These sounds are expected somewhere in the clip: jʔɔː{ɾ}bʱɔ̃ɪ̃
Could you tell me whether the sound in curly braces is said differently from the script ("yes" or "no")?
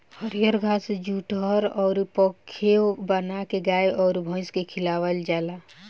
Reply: no